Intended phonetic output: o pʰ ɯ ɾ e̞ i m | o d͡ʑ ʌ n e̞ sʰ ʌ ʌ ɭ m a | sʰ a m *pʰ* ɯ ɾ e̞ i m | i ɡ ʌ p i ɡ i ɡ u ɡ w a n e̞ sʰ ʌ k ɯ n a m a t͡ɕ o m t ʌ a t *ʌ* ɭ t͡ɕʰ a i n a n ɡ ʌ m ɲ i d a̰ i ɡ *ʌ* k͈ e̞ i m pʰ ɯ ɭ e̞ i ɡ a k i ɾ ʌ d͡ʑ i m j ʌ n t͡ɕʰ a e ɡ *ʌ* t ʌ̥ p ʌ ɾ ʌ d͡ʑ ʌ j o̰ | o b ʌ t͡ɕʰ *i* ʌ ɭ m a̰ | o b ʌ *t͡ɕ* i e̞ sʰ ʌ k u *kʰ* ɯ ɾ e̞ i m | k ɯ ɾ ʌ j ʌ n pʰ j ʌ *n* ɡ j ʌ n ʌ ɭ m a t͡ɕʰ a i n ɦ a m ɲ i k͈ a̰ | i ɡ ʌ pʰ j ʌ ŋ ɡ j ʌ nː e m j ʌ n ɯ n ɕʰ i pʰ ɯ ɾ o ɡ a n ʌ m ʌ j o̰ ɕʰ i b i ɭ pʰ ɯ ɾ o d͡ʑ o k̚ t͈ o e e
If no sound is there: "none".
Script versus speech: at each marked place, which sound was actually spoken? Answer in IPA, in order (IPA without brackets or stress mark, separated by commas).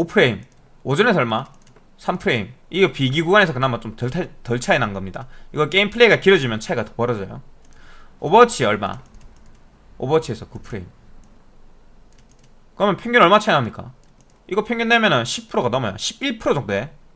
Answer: pʰ, ʌ, ʌ, a, i, t͡ɕʰ, pʰ, ŋ